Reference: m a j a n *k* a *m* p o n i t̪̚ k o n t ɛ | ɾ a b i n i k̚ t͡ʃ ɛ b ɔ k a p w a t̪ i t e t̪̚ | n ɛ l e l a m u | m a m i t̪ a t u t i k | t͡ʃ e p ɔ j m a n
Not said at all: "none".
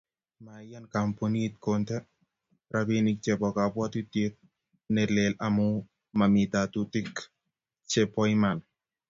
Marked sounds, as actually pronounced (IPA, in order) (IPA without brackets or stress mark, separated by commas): k, m